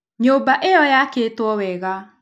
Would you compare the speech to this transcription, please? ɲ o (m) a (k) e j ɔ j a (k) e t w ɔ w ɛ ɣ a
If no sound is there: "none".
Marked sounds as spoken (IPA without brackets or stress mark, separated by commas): b, ʔ, k